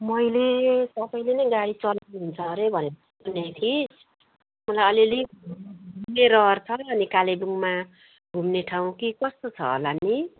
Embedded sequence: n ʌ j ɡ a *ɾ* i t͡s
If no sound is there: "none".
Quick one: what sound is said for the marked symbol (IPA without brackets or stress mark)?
ɽ